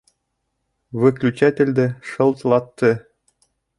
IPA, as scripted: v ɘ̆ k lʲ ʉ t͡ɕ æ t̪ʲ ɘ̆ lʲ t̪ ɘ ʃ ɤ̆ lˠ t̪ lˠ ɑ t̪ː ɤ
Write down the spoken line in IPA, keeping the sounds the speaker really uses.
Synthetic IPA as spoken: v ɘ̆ k lʲ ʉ t͡ɕ æ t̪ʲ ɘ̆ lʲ d̪ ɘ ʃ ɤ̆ lˠ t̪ lˠ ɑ t̪ː ɤ